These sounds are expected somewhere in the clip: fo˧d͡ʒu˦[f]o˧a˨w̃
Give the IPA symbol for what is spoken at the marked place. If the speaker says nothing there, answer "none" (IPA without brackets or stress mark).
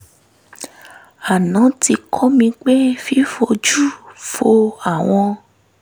f